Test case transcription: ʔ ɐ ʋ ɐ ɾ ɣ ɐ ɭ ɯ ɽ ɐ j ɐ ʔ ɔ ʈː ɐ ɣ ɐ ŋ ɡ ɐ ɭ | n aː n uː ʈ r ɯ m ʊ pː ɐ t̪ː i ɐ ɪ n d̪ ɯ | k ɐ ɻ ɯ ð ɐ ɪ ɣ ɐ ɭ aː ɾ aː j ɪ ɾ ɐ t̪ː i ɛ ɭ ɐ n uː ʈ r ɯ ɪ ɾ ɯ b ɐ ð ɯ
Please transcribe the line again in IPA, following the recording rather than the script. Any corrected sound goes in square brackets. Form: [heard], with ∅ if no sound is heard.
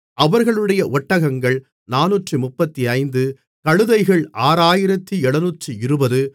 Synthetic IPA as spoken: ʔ ɐ ʋ ɐ ɾ ɣ ɐ ɭ ɯ ɽ ɐ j ɐ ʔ ɔ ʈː ɐ ɣ ɐ ŋ ɡ ɐ ɭ | n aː n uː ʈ r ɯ m ʊ pː ɐ t̪ː i ɐ ɪ n d̪ ɯ | k ɐ ɻ ɯ ð ɐ ɪ ɣ ɐ ɭ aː ɾ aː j ɪ ɾ ɐ t̪ː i ɛ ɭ ɐ n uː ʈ r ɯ ɪ ɾ ɯ b ɐ ð ɯ